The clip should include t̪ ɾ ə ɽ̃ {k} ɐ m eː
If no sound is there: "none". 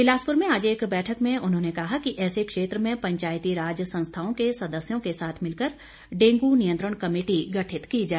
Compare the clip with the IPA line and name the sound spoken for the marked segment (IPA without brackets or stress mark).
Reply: k